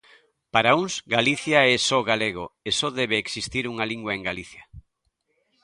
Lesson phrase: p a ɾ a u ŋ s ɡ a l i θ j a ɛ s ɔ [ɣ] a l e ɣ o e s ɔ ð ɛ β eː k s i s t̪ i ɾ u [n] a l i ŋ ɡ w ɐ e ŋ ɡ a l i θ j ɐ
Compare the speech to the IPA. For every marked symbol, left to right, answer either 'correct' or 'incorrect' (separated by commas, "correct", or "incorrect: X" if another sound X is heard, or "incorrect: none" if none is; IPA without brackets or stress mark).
correct, incorrect: ŋ